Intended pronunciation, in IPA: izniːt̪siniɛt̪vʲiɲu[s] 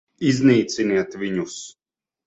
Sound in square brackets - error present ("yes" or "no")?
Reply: no